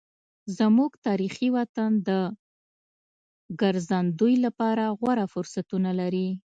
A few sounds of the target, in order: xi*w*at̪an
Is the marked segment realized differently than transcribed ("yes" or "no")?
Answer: no